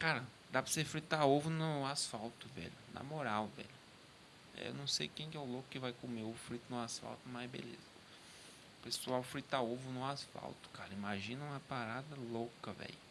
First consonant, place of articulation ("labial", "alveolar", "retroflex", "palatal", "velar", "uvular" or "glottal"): velar